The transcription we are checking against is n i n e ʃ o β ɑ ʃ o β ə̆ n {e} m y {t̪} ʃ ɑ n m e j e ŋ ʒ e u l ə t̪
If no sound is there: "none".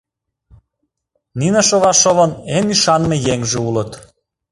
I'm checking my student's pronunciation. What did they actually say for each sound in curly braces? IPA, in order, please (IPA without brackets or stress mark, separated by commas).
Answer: e, none